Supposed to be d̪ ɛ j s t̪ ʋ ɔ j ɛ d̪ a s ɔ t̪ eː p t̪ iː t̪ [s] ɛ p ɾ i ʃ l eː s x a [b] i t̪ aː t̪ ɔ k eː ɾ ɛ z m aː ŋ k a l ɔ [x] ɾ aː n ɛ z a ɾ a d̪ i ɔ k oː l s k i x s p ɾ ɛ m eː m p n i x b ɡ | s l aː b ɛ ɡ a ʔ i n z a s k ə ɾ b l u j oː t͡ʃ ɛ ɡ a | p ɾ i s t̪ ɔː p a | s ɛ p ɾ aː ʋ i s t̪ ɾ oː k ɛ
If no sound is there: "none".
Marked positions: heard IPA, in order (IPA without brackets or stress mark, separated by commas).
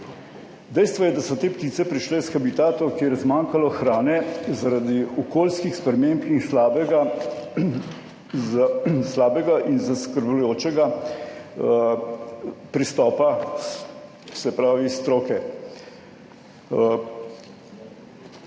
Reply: s, b, x